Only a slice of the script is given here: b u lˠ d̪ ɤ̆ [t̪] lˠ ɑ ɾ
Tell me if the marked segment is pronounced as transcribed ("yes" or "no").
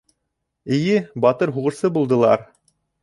no